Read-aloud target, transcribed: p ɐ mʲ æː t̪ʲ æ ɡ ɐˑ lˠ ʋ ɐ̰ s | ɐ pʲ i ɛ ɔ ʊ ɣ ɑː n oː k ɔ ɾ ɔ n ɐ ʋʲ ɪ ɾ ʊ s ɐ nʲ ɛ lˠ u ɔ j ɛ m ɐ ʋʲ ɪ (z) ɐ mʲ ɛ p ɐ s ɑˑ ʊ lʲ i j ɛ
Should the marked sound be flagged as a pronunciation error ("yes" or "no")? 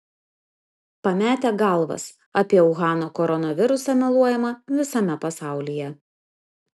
yes